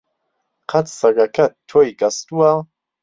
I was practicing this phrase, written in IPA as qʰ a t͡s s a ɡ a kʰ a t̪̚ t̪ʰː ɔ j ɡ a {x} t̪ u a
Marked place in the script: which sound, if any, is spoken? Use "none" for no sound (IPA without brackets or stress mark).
s